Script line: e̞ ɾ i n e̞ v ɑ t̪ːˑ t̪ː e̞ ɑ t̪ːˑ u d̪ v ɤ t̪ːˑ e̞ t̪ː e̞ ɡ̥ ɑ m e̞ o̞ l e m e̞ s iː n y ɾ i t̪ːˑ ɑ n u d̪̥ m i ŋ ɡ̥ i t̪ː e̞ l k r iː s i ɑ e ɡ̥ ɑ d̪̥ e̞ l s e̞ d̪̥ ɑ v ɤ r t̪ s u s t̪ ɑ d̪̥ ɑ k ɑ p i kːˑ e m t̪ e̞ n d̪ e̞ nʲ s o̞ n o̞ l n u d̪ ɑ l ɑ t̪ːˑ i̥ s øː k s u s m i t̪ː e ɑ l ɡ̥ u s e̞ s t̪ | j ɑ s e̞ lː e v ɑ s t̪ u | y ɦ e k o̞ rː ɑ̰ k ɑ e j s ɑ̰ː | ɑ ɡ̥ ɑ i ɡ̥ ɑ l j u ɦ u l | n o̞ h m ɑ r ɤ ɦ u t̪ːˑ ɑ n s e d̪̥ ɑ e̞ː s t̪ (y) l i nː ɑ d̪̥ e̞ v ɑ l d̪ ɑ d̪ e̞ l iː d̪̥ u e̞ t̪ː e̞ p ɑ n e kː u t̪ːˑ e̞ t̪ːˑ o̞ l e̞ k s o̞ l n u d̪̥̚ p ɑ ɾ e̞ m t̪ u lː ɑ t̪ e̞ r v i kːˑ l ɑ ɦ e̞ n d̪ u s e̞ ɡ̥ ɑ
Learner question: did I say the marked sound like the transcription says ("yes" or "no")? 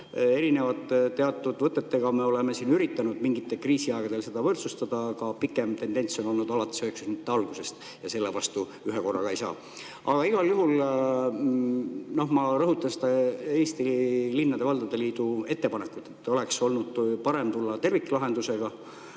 no